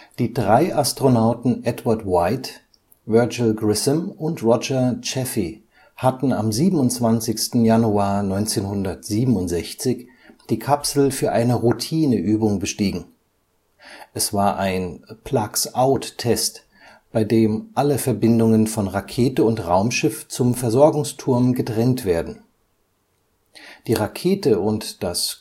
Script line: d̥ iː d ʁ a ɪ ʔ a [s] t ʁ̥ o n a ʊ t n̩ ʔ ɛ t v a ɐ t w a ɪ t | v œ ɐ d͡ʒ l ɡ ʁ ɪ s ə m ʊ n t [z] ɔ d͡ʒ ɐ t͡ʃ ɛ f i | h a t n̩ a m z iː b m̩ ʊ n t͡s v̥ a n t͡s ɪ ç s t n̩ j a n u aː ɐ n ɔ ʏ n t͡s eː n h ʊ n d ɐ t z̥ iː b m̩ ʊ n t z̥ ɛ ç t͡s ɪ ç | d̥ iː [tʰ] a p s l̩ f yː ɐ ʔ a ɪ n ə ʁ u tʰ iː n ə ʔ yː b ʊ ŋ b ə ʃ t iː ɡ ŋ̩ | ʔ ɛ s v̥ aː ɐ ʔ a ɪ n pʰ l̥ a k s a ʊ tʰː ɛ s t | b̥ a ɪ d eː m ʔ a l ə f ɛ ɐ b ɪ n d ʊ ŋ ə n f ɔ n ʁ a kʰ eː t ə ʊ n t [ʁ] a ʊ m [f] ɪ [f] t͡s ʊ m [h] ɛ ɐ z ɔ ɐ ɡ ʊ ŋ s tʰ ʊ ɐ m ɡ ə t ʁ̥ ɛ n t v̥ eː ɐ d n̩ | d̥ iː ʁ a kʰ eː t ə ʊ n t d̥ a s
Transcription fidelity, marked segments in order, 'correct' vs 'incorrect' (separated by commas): correct, incorrect, incorrect, correct, incorrect, correct, incorrect